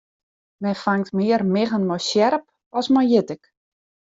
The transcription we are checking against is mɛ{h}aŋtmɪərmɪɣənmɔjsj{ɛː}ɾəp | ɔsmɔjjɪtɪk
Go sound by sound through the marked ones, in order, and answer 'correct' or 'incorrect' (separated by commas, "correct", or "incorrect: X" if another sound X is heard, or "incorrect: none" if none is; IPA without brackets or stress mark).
incorrect: f, incorrect: ɛ